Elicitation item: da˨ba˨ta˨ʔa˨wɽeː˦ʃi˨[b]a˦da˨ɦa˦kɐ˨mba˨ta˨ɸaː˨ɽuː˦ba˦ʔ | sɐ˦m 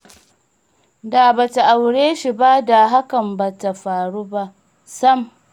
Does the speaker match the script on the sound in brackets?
yes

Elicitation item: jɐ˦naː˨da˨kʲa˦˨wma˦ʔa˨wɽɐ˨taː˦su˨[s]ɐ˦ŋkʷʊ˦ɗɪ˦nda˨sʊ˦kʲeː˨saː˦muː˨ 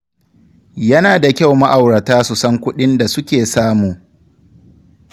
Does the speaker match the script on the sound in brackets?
yes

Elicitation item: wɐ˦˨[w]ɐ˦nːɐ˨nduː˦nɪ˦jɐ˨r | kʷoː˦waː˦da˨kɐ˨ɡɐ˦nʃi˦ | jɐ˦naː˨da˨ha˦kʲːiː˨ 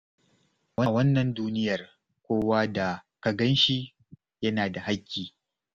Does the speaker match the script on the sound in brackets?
yes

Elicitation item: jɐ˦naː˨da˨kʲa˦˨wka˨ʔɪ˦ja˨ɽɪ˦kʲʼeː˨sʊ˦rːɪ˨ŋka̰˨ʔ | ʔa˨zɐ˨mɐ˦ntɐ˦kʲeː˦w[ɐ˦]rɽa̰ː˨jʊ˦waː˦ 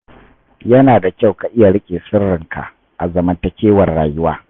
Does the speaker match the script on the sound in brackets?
no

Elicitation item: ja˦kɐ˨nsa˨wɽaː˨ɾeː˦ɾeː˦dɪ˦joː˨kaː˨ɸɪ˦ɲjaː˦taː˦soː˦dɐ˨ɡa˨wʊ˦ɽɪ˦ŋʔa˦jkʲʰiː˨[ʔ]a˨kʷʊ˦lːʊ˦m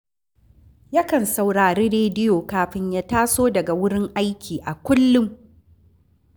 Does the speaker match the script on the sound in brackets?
yes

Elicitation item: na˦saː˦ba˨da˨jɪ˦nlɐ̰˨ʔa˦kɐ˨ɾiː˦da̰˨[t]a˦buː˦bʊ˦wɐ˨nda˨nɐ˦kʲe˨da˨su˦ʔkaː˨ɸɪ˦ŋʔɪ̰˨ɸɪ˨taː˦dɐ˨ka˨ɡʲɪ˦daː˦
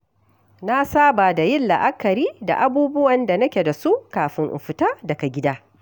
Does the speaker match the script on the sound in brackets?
no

